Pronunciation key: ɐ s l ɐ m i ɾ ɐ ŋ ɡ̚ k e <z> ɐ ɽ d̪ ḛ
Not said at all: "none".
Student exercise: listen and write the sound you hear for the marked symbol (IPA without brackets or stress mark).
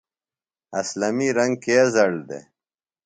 z